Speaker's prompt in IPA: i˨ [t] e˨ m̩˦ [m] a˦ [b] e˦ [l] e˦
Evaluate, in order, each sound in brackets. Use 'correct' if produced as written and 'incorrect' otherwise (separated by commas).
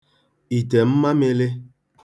correct, correct, incorrect, correct